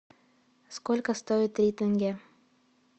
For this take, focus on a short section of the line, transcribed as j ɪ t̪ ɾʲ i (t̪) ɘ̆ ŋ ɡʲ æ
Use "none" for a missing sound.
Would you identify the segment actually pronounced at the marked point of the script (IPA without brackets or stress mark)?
t̪